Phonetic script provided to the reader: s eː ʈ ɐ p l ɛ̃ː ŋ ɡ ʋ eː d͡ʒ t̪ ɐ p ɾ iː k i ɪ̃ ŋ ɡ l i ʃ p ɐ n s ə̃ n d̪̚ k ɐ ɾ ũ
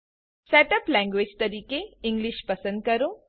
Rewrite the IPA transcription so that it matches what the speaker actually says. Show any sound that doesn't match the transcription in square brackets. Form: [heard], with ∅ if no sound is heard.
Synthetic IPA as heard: s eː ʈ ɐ p l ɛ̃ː ŋ ɡ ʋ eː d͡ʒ t̪ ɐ [∅] ɾ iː k [e] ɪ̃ ŋ ɡ l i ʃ p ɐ [∅] s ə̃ n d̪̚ k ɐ ɾ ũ